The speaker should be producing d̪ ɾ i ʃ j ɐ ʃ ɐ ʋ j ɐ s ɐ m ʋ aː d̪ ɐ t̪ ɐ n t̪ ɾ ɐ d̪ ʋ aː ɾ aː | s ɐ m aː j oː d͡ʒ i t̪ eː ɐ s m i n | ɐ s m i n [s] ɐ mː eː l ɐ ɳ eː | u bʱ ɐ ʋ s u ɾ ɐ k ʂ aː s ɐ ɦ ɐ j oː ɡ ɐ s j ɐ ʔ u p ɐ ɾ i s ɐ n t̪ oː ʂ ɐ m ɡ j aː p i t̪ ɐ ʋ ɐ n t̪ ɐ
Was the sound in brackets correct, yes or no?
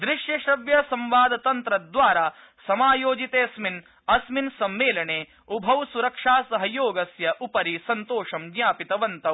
yes